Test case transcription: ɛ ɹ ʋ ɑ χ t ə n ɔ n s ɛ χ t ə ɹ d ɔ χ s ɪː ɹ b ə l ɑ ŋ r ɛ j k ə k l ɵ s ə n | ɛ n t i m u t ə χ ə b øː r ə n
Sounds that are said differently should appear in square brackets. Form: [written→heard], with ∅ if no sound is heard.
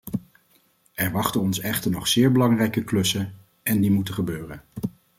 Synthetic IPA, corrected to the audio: ɛ ɹ ʋ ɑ χ t ə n ɔ n s ɛ χ t ə ɹ [d→n] ɔ χ s ɪː ɹ b ə l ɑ ŋ r ɛ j k ə k l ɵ s ə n | ɛ n [t→d] i m u t ə χ ə b øː r ə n